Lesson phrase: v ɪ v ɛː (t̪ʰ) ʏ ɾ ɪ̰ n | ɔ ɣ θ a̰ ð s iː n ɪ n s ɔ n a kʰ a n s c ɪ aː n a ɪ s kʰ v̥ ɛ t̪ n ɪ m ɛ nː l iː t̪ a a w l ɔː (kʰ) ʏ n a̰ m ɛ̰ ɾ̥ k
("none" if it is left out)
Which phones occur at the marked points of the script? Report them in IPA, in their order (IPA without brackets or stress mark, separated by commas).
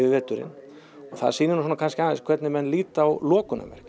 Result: t̪, k